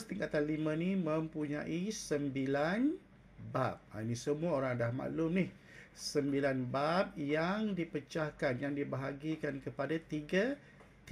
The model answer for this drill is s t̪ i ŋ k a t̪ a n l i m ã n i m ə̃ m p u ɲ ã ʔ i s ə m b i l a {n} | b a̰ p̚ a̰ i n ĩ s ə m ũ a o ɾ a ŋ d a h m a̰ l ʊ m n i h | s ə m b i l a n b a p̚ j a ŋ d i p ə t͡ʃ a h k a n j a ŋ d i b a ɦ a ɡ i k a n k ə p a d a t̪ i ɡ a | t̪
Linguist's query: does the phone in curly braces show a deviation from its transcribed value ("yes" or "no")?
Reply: no